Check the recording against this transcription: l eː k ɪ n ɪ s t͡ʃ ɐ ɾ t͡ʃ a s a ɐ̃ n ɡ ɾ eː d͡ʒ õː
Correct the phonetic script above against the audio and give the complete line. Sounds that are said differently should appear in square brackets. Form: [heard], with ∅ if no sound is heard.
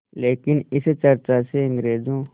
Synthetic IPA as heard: l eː k ɪ n ɪ s t͡ʃ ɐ ɾ t͡ʃ a s [e] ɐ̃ [ŋ] ɡ ɾ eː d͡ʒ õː